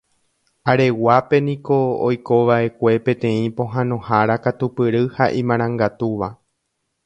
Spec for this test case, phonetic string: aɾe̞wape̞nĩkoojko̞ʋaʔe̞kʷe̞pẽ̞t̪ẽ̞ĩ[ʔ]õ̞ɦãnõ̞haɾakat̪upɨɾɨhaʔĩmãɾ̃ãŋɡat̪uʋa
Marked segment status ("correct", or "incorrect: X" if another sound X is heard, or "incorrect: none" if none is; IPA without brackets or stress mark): incorrect: p